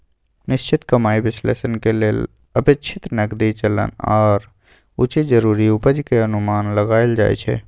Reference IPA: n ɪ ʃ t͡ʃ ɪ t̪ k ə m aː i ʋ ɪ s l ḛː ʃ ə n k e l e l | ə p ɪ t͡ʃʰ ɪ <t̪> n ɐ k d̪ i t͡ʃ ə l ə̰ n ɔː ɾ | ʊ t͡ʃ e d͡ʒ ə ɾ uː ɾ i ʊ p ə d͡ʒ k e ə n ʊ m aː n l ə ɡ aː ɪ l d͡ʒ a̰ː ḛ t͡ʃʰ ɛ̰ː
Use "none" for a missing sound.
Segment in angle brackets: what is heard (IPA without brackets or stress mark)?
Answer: t̪